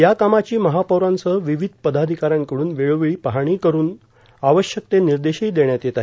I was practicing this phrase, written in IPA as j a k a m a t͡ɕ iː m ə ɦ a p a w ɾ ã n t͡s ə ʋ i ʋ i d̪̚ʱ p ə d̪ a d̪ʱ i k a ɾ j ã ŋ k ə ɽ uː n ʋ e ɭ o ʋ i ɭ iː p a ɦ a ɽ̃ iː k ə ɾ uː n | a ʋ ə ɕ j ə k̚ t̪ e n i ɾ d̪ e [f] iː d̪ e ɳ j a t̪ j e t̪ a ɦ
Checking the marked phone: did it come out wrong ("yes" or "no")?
yes